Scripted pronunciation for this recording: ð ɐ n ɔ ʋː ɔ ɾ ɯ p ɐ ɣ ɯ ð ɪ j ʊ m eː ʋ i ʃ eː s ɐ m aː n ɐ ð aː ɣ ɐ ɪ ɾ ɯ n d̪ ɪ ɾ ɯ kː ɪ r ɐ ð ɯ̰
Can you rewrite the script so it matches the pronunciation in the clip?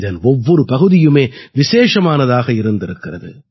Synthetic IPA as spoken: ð ɐ n ɔ ʋː ɔ ɾ ɯ p ɐ ɣ ɯ ð ɪ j ɯ m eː ʋ ɪ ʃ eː ʂ ɐ m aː n ɐ ð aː ɣ ɐ ɪ ɾ ɯ n d̪ ɪ ɾ ɯ kː ɪ r ɐ ð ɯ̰